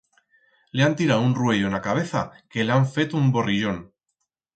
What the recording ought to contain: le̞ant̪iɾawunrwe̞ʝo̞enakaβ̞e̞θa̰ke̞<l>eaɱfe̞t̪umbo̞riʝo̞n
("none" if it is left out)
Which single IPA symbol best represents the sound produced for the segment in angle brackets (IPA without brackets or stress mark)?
l